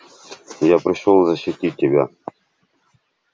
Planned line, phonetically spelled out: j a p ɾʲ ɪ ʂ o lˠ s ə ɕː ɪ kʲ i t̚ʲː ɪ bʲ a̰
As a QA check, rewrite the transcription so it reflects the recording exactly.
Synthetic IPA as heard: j a p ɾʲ ɪ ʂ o lˠ z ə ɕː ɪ tʲ i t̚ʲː ɪ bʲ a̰